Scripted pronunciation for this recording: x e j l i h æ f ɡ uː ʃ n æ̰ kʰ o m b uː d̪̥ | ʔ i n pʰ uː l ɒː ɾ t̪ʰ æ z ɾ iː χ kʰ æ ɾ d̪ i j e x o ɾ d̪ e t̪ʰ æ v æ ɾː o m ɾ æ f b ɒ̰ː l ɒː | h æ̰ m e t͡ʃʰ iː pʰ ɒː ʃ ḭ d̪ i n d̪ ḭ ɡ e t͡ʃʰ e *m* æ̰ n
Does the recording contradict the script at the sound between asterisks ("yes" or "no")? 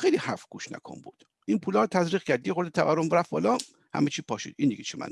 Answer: no